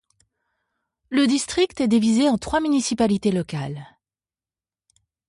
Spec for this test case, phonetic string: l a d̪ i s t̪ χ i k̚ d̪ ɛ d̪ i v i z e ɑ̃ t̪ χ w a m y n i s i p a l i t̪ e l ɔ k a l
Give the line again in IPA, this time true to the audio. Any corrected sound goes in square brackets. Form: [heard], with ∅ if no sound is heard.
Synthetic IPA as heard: l [ə] d̪ i s t̪ χ i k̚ [t̪] ɛ d̪ i v i z e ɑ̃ t̪ χ w a m y n i s i p a l i t̪ e l ɔ k a l